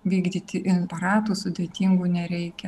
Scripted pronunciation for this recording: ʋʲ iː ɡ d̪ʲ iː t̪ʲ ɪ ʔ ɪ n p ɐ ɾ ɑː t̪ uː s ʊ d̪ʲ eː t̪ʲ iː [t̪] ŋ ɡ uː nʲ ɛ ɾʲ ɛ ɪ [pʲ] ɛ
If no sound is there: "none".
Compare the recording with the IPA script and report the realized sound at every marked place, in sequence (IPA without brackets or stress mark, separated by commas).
none, kʲ